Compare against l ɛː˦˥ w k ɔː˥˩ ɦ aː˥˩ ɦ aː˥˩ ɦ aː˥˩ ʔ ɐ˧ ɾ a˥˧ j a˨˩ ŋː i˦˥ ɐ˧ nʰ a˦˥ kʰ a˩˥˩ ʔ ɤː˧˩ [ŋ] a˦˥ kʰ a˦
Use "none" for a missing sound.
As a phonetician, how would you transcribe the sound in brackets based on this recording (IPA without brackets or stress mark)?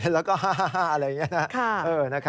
n